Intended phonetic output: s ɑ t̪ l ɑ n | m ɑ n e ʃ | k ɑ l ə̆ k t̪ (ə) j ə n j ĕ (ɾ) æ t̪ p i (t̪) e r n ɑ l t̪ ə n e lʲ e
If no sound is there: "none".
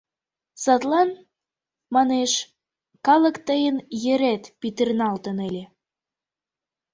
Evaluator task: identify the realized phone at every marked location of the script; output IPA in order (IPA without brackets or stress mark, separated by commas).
ə, ɾ, t̪